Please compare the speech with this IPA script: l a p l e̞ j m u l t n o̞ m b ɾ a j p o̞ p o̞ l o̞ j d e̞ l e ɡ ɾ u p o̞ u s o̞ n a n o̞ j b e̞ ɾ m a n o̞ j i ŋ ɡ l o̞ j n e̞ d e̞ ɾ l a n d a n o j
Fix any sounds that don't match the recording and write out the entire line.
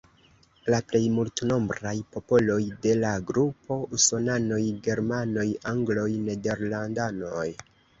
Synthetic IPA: l a p l e̞ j m u l t n o̞ m b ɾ a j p o̞ p o̞ l o̞ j d e̞ l a ɡ ɾ u p o̞ u s o̞ n a n o̞ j ɡ e̞ ɾ m a n o̞ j a ŋ ɡ l o̞ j n e̞ d e̞ ɾ l a n d a n o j